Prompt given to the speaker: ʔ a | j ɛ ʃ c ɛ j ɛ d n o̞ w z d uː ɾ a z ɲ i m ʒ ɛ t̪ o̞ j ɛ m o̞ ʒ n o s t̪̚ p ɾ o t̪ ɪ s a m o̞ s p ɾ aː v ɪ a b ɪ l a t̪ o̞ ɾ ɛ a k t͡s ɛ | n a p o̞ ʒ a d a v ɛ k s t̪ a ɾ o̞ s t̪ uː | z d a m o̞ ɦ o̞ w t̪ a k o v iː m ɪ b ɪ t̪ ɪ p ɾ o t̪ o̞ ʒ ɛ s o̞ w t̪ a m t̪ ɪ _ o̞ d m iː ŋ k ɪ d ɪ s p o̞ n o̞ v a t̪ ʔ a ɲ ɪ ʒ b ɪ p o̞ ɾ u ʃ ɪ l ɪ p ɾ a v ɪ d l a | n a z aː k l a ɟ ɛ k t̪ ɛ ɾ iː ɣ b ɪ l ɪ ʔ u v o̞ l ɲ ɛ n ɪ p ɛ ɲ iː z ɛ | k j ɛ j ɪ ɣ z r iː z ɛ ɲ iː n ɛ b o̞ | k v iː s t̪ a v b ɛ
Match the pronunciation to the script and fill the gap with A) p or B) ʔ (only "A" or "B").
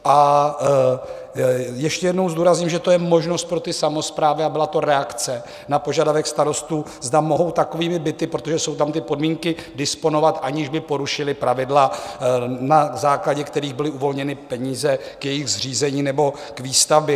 A